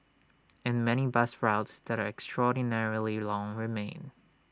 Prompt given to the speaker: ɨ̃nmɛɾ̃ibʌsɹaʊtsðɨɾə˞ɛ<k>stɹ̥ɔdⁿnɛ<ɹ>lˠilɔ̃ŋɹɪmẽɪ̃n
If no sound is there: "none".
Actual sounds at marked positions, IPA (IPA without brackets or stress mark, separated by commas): k, ɹ